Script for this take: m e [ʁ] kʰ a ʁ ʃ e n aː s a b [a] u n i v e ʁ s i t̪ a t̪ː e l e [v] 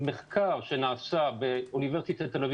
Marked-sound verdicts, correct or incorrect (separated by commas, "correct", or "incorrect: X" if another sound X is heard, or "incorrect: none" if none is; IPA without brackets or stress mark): incorrect: χ, incorrect: e, correct